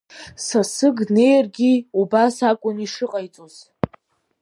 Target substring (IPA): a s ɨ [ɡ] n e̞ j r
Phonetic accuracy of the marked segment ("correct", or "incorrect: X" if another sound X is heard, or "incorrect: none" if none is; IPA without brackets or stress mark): correct